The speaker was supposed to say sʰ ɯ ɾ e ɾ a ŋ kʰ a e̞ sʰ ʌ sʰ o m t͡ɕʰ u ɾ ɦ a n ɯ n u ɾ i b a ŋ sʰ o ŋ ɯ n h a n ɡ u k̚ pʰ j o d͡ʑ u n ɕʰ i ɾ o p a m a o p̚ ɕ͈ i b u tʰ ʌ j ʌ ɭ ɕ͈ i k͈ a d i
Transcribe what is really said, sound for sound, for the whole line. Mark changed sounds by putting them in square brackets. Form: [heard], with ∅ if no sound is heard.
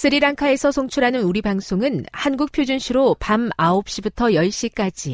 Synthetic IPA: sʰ ɯ ɾ [i] ɾ a ŋ kʰ a e̞ sʰ ʌ sʰ o [ŋ] t͡ɕʰ u ɾ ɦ a n ɯ n u ɾ i b a ŋ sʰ o ŋ ɯ n h a n ɡ u k̚ pʰ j o d͡ʑ u n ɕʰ i ɾ o p a m a o p̚ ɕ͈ i b u tʰ ʌ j ʌ ɭ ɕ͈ i k͈ a [d͡ʑ] i